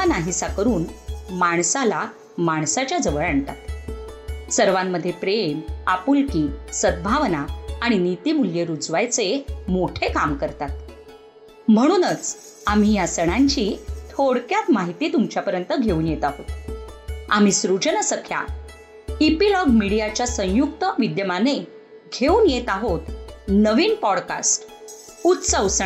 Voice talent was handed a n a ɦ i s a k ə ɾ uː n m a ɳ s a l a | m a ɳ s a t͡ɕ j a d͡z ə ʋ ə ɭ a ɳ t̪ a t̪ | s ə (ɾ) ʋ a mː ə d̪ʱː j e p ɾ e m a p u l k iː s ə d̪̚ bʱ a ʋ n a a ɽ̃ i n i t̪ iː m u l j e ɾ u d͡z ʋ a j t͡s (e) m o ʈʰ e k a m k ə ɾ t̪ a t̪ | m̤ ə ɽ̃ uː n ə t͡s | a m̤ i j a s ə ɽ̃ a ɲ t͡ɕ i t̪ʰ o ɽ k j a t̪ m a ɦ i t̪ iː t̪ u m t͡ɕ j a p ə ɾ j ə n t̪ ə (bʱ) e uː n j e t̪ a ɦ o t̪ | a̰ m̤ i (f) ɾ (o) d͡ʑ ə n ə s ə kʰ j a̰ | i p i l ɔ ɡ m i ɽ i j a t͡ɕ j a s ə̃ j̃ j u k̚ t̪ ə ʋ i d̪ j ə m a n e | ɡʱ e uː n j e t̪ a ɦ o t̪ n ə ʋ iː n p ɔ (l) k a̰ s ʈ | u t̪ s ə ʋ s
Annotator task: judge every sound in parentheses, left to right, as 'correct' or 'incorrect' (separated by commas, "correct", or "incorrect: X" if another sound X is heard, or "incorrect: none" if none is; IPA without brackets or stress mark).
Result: correct, correct, incorrect: ɡʱ, incorrect: s, incorrect: u, incorrect: ɽ